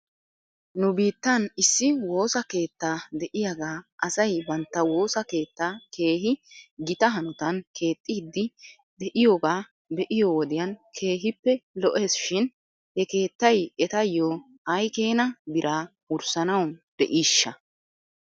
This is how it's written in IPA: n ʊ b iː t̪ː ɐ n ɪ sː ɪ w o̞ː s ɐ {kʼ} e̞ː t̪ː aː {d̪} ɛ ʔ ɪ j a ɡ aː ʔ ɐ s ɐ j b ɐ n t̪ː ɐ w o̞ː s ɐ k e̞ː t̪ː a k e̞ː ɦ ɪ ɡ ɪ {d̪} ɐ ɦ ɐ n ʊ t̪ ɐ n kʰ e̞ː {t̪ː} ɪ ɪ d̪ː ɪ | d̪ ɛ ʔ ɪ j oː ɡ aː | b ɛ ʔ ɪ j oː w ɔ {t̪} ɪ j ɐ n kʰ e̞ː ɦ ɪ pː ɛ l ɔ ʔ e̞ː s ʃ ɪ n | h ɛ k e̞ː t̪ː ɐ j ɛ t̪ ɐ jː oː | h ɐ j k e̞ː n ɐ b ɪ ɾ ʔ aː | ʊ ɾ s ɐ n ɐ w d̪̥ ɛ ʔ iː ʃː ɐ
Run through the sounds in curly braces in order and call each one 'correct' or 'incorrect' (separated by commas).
incorrect, correct, incorrect, incorrect, incorrect